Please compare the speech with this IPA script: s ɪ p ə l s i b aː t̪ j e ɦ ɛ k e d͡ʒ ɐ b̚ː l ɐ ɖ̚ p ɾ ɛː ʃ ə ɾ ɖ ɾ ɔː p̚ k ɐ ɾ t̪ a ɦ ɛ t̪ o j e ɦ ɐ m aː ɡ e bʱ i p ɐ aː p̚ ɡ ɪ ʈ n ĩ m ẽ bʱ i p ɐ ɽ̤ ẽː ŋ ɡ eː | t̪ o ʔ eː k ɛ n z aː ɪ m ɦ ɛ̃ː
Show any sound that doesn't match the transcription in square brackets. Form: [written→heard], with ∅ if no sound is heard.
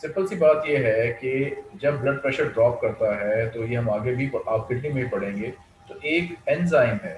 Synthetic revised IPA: s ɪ p ə l s i b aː t̪ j e ɦ ɛ k e d͡ʒ ɐ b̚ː l ɐ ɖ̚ p ɾ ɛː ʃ ə ɾ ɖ ɾ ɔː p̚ k ɐ ɾ t̪ a ɦ ɛ t̪ o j e ɦ ɐ m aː ɡ e bʱ i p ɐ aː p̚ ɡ ɪ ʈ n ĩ m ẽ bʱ i p ɐ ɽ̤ ẽː ŋ ɡ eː | t̪ o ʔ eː k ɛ n z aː ɪ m ɦ [ɛ̃ː→ɛː]

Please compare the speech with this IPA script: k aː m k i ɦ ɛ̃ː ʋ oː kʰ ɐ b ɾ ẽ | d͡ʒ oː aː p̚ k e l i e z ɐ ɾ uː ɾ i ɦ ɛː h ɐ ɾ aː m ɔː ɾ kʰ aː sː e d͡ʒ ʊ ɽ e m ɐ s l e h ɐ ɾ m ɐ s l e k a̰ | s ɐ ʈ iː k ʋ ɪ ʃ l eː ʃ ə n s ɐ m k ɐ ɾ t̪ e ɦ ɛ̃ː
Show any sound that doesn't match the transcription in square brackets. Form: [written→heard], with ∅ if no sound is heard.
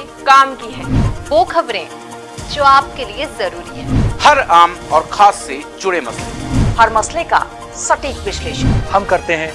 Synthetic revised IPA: k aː m k i ɦ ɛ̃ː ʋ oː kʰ ɐ b ɾ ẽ | d͡ʒ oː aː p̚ k e l i e z ɐ ɾ uː ɾ i ɦ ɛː h ɐ ɾ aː m ɔː ɾ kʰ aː sː e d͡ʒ ʊ ɽ e m ɐ s l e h ɐ ɾ m ɐ s l e k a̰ | s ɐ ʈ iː k ʋ ɪ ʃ l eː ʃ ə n [s→h] ɐ m k ɐ ɾ t̪ e ɦ ɛ̃ː

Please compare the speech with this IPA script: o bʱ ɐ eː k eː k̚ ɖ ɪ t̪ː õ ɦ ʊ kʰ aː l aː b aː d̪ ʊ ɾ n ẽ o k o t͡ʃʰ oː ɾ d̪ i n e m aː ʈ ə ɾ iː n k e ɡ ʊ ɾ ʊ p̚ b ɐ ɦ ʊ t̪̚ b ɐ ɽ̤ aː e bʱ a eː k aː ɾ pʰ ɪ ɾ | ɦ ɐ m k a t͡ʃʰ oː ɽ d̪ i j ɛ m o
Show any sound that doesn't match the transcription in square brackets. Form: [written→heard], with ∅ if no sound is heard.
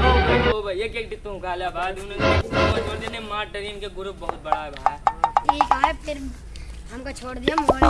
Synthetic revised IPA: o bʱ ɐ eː k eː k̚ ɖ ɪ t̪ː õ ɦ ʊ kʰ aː l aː b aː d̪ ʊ [ɾ→∅] n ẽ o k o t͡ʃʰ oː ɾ d̪ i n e m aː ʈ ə ɾ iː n k e ɡ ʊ ɾ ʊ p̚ b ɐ ɦ ʊ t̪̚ b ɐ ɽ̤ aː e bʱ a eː k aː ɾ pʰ ɪ ɾ | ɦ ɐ m k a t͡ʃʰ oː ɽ d̪ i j [ɛ→a] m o

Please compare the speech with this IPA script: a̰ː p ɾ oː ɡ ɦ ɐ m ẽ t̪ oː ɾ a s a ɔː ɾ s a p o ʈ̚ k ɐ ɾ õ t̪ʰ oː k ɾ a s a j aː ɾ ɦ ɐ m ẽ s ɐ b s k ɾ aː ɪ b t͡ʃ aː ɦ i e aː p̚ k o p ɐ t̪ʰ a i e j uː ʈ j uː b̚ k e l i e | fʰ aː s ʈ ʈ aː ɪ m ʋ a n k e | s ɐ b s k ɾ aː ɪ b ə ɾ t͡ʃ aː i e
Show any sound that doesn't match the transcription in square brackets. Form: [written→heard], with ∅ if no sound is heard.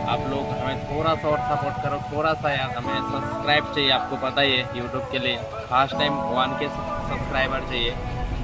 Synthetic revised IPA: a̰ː p [ɾ→l] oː ɡ ɦ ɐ m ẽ [t̪→t̪ʰ] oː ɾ a s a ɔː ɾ s a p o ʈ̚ k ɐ ɾ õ t̪ʰ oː [k→∅] ɾ a s a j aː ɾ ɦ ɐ m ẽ s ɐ b s k ɾ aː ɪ b t͡ʃ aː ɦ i e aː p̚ k o p ɐ [t̪ʰ→t̪] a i e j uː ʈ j uː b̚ k e l i e | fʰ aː s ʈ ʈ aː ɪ m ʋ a n k e | s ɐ b s k ɾ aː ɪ b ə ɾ t͡ʃ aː i e

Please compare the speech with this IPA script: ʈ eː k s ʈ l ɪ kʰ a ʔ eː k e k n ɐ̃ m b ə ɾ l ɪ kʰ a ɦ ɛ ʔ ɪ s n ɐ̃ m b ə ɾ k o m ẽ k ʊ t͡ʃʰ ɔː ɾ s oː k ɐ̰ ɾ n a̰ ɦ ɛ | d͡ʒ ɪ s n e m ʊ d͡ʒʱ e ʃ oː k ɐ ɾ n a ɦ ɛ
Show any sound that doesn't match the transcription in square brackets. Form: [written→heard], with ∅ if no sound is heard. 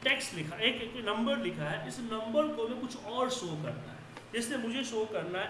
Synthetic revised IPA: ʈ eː k s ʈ l ɪ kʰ a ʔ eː k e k n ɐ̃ m b ə ɾ l ɪ kʰ a ɦ ɛ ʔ ɪ s n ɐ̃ m b ə ɾ k o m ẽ k ʊ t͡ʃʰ ɔː ɾ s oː k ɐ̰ ɾ n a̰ ɦ ɛ | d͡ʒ ɪ s n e m ʊ d͡ʒʱ e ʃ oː k ɐ ɾ n a ɦ ɛ

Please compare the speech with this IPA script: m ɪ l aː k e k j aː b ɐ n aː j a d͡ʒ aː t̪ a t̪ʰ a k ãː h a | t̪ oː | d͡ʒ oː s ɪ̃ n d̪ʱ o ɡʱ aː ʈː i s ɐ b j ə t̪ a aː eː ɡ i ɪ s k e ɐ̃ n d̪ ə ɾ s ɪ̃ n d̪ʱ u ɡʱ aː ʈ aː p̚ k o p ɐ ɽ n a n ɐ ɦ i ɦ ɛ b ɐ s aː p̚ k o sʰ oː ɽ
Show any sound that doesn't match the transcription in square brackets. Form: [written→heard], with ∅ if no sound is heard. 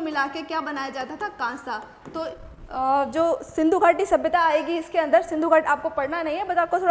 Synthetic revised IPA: m ɪ l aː k e k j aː b ɐ n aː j a d͡ʒ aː t̪ a t̪ʰ a k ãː [h→s] a | t̪ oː | d͡ʒ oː s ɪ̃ n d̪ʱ [o→u] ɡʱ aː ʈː i s ɐ b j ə t̪ a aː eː ɡ i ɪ s k e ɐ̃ n d̪ ə ɾ s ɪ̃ n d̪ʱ u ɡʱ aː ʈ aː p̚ k o p ɐ ɽ n a n ɐ ɦ [i→ĩ] ɦ ɛ b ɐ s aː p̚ k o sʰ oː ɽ

